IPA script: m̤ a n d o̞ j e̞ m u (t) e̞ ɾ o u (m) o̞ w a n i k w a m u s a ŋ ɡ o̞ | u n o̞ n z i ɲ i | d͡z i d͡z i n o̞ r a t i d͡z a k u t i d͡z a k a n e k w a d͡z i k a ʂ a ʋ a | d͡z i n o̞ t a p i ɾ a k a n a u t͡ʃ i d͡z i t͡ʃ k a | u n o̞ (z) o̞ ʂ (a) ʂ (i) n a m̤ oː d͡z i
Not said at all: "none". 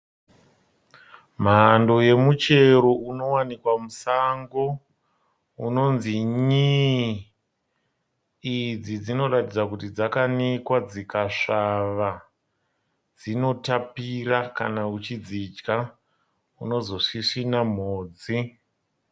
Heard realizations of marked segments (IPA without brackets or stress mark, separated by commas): t͡ʃ, n, z, i, i